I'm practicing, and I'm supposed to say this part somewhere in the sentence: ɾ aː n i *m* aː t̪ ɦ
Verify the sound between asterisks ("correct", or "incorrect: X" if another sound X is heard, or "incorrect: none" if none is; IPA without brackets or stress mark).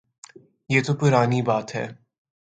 incorrect: b